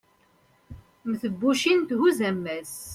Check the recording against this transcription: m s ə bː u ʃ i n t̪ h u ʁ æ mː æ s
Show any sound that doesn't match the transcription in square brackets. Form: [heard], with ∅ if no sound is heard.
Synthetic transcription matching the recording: m [θ] ə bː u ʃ i n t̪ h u [z] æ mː æ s